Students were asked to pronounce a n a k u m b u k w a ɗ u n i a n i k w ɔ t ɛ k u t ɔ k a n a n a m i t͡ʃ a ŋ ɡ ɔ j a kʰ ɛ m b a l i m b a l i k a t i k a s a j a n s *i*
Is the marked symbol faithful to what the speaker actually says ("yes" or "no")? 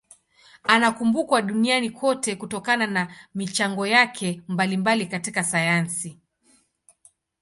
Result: yes